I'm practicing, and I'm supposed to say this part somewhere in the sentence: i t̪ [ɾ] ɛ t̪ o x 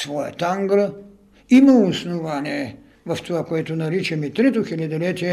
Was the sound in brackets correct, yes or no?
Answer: yes